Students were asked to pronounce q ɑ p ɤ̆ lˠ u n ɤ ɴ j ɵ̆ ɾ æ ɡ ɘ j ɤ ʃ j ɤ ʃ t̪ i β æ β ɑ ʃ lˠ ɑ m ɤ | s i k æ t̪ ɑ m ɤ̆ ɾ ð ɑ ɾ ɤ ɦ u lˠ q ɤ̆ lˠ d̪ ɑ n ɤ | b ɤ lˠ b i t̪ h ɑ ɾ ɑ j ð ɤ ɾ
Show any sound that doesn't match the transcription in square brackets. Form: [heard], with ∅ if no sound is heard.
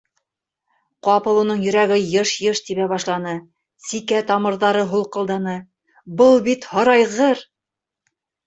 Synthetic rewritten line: q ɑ p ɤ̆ lˠ u n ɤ ɴ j ɵ̆ ɾ æ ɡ ɘ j ɤ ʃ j ɤ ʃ t̪ i β æ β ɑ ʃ lˠ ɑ [n] ɤ | s i k æ t̪ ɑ m ɤ̆ ɾ ð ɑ ɾ ɤ ɦ u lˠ q ɤ̆ lˠ d̪ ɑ n ɤ | b ɤ lˠ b i t̪ h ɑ ɾ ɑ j [ʁ] ɤ ɾ